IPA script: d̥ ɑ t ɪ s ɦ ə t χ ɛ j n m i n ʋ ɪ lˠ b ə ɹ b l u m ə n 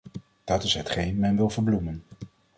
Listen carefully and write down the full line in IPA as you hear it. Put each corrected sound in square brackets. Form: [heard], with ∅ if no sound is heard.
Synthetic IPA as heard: d̥ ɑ t ɪ s ɦ ə t χ [e] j n m [ɛ] n ʋ ɪ lˠ [v] ə ɹ b l u m ə n